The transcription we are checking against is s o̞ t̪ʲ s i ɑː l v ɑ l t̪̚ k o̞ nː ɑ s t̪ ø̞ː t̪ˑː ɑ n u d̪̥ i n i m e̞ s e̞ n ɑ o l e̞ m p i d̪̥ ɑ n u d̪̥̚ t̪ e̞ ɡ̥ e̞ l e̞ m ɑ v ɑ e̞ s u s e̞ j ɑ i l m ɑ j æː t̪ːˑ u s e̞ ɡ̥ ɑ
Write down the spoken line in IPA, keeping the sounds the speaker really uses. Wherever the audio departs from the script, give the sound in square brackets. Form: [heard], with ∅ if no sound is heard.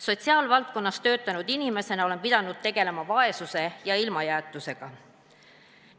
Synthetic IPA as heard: s o̞ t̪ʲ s i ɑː l v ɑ l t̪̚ k o̞ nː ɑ s t̪ ø̞ː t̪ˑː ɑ n u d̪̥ i n i m e̞ s e̞ n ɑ o l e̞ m p i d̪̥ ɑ n u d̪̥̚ t̪ e̞ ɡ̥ e̞ l e̞ m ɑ v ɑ e̞ s u s e̞ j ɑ i l m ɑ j æː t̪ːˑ u s e̞ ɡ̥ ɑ